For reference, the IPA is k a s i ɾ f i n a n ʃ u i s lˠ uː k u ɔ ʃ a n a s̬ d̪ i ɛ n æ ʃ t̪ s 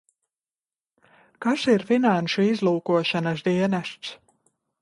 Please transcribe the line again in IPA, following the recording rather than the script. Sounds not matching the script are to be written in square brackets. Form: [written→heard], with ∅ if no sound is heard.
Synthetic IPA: k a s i ɾ f i n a n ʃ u i [s→z] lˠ uː k u ɔ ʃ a n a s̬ d̪ i ɛ n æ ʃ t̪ s